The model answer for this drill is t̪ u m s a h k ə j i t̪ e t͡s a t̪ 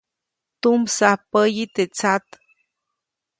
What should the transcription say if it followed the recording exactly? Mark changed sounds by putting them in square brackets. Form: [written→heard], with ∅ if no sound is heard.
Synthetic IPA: t̪ u m s a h [k→p] ə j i t̪ e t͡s a t̪